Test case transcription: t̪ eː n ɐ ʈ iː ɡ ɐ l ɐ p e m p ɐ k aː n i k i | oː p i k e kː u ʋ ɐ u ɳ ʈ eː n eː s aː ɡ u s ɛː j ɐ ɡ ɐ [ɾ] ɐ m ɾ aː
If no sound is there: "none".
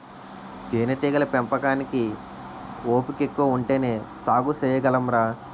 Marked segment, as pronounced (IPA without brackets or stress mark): l